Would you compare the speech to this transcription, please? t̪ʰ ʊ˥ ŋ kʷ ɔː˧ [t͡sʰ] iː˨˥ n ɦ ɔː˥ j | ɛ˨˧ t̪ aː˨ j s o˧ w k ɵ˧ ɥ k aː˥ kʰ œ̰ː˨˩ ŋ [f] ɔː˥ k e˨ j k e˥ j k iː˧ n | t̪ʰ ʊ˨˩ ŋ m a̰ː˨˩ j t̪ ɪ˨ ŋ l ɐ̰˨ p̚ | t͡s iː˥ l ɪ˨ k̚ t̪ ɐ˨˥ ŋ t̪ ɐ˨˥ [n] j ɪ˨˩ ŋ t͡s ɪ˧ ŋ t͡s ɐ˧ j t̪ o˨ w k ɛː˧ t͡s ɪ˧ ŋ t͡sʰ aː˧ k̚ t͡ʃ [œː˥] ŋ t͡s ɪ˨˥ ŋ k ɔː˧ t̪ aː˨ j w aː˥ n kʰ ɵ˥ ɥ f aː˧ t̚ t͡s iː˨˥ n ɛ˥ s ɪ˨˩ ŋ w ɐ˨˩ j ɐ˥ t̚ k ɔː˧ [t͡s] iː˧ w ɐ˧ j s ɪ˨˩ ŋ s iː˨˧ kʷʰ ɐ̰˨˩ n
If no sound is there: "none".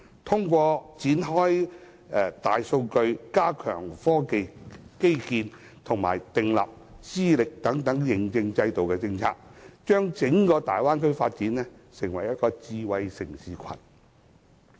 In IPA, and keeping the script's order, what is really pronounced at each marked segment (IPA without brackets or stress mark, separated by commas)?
t͡s, f, ŋ, œː˥, t͡s